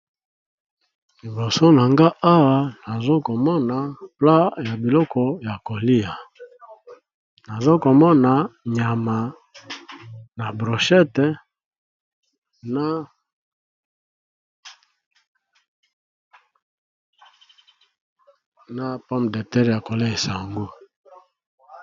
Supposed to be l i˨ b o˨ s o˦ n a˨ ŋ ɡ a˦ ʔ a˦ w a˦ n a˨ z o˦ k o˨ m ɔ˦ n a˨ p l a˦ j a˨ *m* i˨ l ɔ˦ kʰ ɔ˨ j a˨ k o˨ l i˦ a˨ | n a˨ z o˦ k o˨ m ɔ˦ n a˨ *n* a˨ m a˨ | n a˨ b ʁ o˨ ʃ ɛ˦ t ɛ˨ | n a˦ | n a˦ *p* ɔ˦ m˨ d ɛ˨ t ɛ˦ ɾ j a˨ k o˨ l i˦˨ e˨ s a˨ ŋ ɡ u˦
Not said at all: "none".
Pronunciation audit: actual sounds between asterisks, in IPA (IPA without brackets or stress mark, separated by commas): b, ɲ, p